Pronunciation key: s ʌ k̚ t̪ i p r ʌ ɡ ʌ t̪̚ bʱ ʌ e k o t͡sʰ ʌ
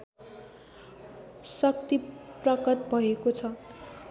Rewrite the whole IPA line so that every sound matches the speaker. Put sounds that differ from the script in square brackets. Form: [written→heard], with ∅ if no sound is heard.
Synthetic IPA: s ʌ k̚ t̪ i p r ʌ [ɡ→k] ʌ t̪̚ bʱ ʌ e k o t͡sʰ ʌ